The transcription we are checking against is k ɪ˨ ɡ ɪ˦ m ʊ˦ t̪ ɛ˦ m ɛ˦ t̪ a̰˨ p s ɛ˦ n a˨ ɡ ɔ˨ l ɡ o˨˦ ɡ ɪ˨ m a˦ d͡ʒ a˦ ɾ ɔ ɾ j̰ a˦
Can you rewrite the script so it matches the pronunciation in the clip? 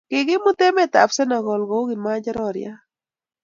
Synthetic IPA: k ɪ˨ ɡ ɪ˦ m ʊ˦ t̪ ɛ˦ m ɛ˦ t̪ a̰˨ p s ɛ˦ n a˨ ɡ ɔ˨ l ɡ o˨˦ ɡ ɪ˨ m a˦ d͡ʒ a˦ ɾ ɔ ɾ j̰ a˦